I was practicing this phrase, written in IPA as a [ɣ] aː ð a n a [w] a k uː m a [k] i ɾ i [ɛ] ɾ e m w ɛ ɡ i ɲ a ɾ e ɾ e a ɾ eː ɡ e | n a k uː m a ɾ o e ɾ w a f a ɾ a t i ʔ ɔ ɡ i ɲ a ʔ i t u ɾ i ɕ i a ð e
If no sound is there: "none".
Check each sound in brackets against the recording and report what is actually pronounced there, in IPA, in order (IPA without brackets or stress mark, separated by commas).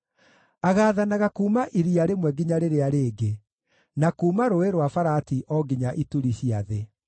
ɣ, ɣ, ʔ, a